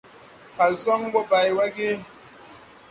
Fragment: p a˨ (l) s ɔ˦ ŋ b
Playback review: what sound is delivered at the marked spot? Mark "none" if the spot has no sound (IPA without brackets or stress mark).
l